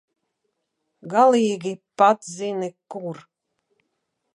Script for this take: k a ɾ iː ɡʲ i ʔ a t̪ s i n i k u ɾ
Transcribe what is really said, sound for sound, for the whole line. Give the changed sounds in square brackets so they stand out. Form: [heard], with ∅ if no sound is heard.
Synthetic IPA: [ɡ] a [l] iː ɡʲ i [p] a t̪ [z] i n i k u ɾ